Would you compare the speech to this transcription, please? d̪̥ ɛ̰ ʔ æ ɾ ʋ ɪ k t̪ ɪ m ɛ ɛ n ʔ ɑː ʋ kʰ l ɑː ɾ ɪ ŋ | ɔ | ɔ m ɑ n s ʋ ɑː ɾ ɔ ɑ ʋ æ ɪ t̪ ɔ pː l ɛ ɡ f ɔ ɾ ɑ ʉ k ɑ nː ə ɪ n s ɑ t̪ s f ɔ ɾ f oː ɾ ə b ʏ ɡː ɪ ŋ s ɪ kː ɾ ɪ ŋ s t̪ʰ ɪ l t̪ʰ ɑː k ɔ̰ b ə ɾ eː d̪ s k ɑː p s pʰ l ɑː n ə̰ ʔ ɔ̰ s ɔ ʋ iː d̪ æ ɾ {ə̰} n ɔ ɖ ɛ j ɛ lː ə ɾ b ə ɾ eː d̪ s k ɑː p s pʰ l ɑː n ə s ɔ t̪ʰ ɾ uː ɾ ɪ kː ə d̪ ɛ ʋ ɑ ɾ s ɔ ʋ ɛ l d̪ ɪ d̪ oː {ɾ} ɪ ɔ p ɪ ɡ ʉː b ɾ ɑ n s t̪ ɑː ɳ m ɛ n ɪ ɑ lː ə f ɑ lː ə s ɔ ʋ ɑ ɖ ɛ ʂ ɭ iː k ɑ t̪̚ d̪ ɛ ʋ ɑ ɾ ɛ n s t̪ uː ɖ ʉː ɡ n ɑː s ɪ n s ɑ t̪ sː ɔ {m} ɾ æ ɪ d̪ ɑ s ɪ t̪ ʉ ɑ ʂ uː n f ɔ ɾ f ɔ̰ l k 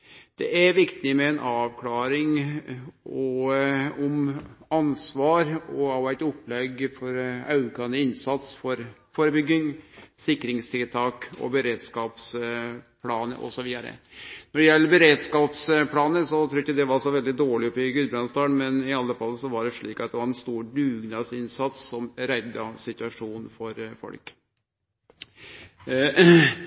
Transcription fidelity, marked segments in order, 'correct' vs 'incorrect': correct, incorrect: ɭ, correct

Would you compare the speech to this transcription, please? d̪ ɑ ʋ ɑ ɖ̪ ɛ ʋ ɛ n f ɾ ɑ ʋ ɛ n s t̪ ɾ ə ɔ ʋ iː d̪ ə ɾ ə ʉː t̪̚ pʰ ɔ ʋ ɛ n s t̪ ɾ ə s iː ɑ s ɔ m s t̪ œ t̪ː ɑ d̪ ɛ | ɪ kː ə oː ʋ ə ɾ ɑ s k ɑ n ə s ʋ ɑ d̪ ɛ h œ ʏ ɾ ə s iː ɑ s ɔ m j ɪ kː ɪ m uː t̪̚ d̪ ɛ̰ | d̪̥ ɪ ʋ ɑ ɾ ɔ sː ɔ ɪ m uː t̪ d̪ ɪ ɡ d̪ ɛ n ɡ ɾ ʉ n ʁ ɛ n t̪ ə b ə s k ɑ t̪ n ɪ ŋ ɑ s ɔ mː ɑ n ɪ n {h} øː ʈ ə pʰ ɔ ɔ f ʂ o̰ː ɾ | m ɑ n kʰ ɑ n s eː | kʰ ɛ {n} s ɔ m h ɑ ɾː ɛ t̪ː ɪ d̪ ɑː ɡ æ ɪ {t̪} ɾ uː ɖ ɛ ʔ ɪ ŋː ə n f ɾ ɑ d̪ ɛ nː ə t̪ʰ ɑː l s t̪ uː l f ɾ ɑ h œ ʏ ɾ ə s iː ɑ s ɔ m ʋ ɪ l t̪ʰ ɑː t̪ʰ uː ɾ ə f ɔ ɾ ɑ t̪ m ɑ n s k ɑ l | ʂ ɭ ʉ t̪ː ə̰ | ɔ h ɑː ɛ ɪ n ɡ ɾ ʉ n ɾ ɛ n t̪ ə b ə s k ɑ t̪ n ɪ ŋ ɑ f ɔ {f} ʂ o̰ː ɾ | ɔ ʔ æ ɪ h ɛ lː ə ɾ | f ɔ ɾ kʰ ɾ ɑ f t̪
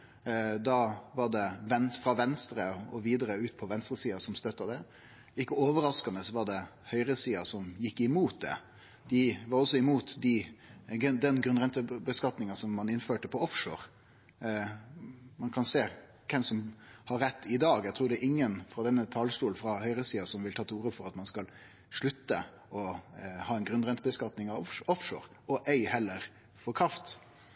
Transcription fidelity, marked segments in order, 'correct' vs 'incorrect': incorrect: f, incorrect: m, incorrect: t̪ʰ, correct

